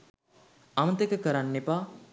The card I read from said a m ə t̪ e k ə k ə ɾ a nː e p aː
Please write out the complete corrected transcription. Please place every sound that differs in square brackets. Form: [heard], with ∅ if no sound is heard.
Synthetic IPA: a m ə t̪ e k ə k ə ɾ a nː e p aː